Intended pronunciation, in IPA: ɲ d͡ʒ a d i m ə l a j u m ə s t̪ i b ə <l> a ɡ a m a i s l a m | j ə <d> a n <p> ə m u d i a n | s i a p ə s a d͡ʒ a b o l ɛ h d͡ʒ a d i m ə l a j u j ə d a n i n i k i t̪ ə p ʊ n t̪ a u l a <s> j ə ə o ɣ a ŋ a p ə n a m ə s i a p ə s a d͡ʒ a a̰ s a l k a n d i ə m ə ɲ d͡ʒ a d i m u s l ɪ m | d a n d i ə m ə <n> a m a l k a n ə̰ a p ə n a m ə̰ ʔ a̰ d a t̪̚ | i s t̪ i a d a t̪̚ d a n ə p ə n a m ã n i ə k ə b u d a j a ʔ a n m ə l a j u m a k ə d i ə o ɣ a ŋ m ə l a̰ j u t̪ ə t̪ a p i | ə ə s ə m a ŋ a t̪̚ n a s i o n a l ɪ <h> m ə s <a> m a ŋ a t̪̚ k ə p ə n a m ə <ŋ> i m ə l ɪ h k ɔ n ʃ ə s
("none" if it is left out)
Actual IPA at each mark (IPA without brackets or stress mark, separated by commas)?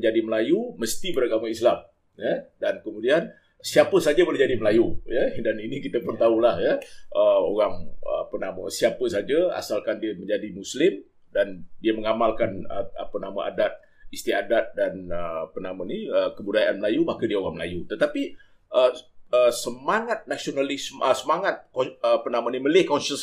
ɾ, d, k, h, ŋ, s, ə, n